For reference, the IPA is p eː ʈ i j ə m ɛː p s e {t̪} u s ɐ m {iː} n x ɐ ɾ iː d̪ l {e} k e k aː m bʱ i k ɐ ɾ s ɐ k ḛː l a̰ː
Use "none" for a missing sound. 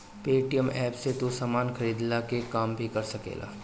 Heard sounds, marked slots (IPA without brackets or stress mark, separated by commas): t̪, aː, a